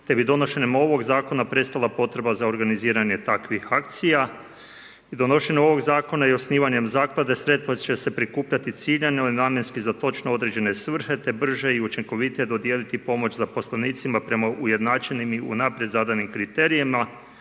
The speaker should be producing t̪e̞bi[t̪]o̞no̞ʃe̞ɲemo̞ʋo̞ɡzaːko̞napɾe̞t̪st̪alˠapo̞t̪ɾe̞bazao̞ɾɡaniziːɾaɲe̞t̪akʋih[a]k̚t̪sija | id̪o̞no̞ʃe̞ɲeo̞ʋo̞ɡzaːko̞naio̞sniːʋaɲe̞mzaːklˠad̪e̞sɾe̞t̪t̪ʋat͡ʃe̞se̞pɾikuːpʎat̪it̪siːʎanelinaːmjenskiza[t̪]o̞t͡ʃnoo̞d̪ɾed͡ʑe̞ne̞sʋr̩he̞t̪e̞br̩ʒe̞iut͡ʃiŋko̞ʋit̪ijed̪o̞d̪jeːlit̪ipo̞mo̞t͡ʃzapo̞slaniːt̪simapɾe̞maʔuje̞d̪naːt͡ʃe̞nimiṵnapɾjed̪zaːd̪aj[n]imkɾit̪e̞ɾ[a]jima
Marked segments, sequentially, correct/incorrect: incorrect: d̪, correct, correct, correct, incorrect: i

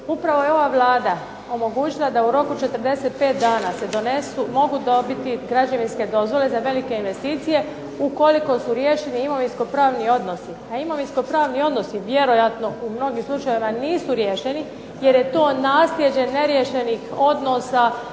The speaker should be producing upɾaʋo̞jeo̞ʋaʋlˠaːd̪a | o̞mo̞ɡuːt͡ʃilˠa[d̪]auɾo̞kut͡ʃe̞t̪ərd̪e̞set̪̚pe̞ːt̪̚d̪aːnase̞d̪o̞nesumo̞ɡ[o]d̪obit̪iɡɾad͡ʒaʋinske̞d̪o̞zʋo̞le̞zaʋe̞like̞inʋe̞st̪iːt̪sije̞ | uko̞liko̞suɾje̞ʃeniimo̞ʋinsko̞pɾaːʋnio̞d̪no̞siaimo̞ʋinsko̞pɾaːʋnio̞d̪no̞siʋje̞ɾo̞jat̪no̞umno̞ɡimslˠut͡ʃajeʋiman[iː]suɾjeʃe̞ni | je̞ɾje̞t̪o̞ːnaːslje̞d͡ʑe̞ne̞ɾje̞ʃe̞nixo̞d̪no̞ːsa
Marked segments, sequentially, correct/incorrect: correct, incorrect: u, correct

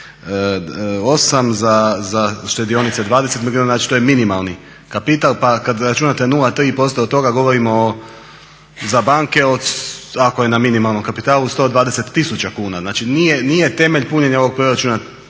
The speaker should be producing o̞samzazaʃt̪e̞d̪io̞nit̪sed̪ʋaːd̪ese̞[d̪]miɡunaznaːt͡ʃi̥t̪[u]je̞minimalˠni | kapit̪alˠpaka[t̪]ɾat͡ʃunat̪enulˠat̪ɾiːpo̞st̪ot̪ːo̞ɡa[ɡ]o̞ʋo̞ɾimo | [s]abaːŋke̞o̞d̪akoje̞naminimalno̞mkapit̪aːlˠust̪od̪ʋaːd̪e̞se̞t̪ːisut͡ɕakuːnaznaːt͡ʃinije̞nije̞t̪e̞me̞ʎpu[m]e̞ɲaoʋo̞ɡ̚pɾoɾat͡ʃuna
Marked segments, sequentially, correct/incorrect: incorrect: t̪, incorrect: o, incorrect: d̪, correct, incorrect: z, incorrect: ɲ

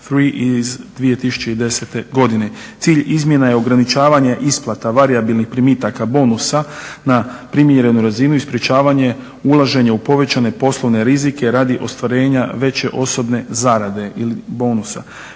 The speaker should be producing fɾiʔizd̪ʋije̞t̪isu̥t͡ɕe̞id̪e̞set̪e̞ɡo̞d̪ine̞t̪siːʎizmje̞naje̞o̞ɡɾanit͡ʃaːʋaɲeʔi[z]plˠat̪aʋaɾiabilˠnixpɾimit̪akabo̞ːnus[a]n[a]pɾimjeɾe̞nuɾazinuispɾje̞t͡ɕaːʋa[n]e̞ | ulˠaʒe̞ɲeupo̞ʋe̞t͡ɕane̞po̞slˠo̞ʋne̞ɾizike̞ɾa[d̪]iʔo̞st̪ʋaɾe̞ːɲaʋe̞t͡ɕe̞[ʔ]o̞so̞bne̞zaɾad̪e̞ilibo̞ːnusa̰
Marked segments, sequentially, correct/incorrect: incorrect: s, correct, correct, incorrect: ɲ, correct, correct

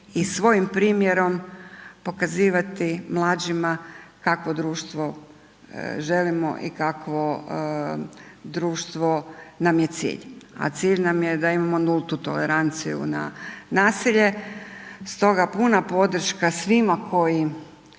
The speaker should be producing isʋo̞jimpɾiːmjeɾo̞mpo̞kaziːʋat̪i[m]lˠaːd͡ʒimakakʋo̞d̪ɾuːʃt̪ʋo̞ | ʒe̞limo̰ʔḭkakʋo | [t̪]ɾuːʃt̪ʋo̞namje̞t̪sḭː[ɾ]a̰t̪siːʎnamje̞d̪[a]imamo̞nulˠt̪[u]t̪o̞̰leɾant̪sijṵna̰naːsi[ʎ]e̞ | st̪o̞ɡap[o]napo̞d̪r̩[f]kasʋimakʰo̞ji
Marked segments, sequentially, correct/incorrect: correct, incorrect: d̪, incorrect: ʎ, correct, correct, correct, incorrect: u, incorrect: ʃ

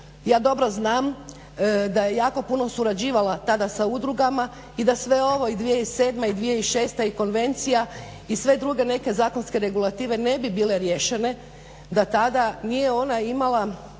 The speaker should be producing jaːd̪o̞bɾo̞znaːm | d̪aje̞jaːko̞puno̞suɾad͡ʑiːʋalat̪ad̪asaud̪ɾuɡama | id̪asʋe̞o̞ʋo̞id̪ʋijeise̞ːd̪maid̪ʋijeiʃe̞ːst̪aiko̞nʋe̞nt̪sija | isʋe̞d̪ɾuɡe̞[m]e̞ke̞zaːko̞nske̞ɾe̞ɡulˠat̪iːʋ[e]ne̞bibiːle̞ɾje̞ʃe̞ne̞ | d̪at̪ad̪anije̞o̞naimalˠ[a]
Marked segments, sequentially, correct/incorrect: incorrect: n, correct, correct

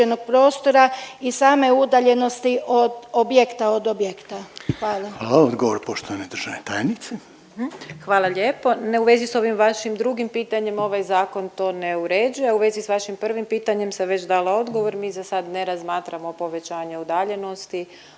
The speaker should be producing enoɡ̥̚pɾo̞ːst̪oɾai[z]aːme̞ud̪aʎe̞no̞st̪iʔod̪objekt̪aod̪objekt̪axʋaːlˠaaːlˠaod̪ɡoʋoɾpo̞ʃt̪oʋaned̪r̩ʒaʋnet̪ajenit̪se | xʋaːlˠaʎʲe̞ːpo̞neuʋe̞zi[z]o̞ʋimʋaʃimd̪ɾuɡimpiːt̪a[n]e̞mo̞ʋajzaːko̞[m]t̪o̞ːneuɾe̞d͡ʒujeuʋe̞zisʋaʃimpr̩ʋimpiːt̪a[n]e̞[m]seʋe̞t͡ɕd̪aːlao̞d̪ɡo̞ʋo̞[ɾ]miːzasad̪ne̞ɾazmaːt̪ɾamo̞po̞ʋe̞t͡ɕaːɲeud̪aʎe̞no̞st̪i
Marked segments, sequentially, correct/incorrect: incorrect: s, incorrect: s, incorrect: ɲ, incorrect: n, incorrect: ɲ, correct, correct

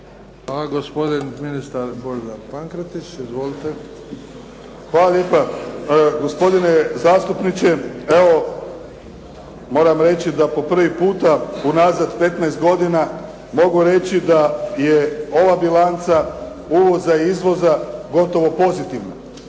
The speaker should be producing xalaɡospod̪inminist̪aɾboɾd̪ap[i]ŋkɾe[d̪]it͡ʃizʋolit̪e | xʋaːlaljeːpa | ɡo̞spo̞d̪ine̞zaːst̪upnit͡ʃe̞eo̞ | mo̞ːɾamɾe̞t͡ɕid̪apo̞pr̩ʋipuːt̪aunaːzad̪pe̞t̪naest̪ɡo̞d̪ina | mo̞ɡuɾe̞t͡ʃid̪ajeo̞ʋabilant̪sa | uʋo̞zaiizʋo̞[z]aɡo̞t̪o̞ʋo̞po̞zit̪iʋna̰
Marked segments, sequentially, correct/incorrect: incorrect: a, incorrect: t̪, correct

